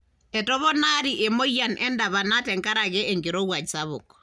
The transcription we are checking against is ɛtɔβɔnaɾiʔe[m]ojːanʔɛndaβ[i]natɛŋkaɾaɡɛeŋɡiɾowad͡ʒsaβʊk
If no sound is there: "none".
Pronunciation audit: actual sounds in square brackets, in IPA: m, a

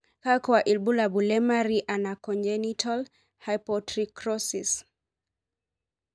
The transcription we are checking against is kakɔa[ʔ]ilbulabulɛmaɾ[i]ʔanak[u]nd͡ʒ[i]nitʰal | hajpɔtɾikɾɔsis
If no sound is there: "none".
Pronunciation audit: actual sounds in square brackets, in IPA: ʔ, i, ɔ, ɛ

